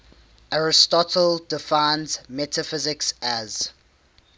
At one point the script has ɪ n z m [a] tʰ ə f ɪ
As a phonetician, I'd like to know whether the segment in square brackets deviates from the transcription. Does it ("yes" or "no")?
yes